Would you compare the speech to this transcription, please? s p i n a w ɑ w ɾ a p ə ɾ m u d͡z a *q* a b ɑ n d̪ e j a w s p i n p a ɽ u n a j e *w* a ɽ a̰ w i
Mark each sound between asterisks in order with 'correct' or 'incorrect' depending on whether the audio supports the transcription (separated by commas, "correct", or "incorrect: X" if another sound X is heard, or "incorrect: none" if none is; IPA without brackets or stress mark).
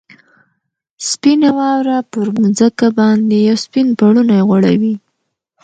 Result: incorrect: k, incorrect: ɣ